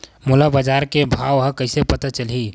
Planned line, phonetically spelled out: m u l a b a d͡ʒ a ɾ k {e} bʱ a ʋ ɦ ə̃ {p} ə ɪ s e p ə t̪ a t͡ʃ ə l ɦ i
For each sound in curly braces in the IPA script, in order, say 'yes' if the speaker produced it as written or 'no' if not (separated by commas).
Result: yes, no